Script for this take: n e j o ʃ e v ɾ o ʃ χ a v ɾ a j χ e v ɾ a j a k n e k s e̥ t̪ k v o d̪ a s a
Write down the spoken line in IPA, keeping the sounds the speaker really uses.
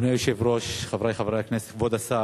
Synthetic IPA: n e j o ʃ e v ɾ o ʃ χ a v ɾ a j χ a v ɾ a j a k n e s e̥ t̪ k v o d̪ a s a